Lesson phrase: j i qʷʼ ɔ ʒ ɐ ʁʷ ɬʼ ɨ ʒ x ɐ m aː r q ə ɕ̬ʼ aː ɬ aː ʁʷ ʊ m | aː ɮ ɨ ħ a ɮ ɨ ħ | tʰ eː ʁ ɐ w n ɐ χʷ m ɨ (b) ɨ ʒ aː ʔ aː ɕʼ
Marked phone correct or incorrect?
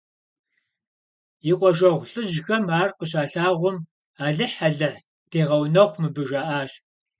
correct